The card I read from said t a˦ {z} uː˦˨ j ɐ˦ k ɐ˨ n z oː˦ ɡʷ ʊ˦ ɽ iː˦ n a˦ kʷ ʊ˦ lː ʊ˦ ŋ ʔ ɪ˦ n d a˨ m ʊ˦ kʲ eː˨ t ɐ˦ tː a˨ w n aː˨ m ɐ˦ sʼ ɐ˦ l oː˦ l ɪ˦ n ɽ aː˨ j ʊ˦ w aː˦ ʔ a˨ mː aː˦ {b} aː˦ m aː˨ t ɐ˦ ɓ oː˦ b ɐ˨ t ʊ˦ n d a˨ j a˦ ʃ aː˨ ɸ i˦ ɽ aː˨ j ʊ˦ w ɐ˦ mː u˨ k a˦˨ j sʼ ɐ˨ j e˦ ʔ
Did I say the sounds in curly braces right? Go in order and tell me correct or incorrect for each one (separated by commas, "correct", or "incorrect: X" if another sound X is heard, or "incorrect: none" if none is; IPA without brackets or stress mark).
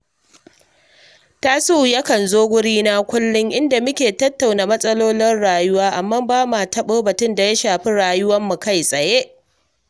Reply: incorrect: s, correct